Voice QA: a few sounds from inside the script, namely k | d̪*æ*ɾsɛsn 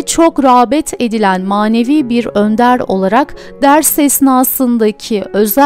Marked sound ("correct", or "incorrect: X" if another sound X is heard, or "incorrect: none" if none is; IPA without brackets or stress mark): correct